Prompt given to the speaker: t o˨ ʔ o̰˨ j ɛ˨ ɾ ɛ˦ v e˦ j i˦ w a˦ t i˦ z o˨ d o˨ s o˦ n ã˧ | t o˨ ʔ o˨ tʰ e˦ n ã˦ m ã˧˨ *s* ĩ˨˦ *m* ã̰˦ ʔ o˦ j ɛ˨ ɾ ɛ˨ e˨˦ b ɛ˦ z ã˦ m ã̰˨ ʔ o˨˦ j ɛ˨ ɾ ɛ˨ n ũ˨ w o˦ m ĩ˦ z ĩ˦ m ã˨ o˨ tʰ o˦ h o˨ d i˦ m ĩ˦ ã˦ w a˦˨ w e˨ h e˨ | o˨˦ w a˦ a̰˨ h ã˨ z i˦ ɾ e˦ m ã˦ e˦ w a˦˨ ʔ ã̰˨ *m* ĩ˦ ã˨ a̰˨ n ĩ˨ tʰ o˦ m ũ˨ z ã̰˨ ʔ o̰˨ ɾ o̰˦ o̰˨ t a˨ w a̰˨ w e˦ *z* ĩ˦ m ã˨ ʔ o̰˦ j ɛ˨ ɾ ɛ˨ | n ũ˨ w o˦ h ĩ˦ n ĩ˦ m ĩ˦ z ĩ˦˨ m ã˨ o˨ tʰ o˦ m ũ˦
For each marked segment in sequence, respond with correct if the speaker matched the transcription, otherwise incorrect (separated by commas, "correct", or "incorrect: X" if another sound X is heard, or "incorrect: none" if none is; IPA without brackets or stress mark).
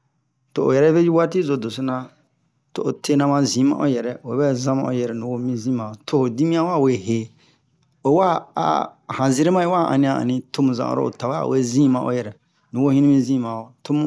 incorrect: z, correct, incorrect: n, correct